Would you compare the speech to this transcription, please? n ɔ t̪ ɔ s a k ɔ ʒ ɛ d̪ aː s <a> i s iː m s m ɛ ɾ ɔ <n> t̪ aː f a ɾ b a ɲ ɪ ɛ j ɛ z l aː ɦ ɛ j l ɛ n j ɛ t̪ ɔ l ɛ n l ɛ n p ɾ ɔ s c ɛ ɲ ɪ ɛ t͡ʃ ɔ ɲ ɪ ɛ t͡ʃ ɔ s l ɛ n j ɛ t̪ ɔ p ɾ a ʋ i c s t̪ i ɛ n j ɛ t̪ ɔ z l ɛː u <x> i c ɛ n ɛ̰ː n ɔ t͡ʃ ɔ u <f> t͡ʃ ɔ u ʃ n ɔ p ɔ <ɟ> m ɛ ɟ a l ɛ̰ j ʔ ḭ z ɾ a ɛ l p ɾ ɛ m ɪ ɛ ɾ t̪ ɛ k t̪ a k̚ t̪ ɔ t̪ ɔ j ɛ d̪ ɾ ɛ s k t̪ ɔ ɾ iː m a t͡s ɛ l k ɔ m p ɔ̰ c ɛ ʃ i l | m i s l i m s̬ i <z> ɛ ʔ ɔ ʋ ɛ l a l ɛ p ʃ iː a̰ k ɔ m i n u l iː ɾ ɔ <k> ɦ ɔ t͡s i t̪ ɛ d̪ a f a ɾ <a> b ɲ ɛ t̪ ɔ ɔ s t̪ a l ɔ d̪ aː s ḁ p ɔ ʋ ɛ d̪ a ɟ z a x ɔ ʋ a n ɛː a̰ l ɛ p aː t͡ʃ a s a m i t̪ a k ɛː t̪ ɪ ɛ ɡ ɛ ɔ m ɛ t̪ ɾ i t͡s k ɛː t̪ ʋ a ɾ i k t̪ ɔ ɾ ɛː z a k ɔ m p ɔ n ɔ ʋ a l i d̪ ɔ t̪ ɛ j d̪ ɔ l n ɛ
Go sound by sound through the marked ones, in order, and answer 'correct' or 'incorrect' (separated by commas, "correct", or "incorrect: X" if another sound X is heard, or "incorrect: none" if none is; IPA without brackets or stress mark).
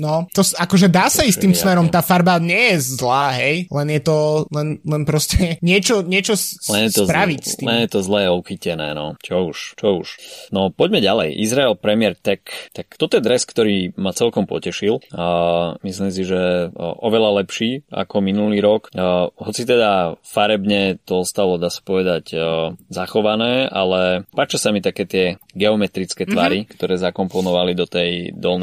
correct, incorrect: m, correct, incorrect: ʃ, correct, incorrect: ʒ, correct, incorrect: ɛ